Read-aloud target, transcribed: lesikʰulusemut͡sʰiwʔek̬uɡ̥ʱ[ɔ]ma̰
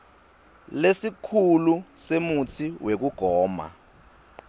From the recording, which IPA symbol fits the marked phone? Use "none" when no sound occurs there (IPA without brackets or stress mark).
ɔː